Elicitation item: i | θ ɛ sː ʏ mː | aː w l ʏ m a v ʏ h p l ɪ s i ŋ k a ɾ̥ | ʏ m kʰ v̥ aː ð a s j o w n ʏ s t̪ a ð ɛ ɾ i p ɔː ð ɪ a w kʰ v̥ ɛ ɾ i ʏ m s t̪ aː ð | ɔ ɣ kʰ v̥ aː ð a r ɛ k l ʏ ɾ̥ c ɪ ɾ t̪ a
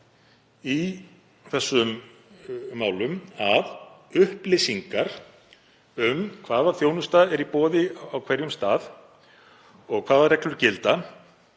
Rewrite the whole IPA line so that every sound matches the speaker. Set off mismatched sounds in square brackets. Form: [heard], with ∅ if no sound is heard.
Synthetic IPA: i | θ ɛ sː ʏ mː | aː w l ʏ m a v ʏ h p l ɪ s i ŋ k a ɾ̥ | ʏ m kʰ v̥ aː ð a [θ] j o w n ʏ s t̪ a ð ɛ ɾ i p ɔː ð ɪ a w kʰ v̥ ɛ ɾ [j] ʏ m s t̪ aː ð | ɔ ɣ kʰ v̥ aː ð a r ɛ k l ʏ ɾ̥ c ɪ [l] t̪ a